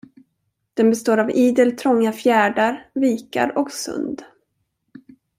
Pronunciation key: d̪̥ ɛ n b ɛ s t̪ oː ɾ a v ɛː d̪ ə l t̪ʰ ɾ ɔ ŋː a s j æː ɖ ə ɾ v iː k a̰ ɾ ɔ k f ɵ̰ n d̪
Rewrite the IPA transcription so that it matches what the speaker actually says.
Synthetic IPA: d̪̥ ɛ n b ɛ s t̪ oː ɾ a v iː d̪ ə l t̪ʰ ɾ ɔ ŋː a f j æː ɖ a ɾ v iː k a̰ ɾ ɔ k s ɵ̰ n d̪